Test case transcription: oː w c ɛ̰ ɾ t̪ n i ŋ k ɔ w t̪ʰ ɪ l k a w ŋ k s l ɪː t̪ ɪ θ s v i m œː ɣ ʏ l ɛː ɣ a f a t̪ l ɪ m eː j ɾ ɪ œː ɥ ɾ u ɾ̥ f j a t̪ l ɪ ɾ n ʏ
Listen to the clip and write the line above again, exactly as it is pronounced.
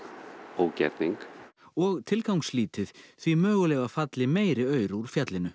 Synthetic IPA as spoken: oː w c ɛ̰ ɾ t̪ n i ŋ k ɔ ɣ t̪ʰ ɪ l k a w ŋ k s l iː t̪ ɪ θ θ v i m œː ɣ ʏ l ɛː ɣ a f a t̪ l ɪ m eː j ɾ ɪ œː ɥ ɾ u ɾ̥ f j a t̪ l ɪ n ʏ